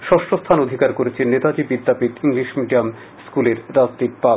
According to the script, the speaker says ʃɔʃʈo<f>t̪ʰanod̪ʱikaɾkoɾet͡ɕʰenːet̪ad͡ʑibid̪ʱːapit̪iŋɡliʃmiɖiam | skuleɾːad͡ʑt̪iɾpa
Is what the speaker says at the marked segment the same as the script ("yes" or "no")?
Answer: no